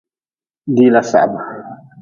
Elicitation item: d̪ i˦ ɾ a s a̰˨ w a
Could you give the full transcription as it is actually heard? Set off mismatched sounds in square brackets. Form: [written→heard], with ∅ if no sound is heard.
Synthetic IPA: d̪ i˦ [ɾ→l] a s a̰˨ [w→b] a